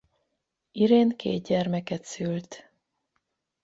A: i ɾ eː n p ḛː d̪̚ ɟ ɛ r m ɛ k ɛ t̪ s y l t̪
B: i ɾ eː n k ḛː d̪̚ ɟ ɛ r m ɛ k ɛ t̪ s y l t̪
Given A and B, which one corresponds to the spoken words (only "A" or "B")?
B